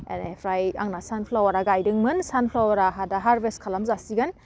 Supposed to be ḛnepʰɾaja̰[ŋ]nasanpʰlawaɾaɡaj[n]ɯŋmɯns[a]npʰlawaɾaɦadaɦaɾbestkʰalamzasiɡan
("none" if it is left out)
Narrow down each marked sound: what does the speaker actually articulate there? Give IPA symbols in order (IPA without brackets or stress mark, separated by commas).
ŋ, d, a